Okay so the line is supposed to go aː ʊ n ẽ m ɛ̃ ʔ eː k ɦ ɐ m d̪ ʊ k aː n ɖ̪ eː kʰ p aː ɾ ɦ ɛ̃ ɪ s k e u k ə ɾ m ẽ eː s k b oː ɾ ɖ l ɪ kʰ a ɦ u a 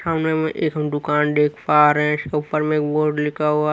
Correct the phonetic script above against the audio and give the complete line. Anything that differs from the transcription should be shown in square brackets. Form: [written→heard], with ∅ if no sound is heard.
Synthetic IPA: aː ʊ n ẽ m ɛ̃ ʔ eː k ɦ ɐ m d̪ ʊ k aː n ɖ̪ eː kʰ p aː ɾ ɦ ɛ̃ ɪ s k e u [k→p] ə ɾ m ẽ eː [s→∅] k b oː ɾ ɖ l ɪ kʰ a ɦ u a